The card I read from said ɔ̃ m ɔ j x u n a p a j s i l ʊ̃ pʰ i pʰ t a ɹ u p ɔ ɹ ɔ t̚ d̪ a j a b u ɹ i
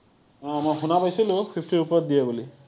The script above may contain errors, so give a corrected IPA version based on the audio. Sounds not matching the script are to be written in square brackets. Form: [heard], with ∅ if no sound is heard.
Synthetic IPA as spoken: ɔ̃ m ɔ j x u n a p a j s i l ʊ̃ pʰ i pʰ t [i] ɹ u p ɔ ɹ ɔ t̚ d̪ [i] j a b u [l] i